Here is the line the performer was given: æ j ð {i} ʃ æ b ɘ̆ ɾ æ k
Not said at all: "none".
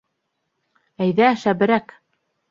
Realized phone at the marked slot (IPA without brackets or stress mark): æ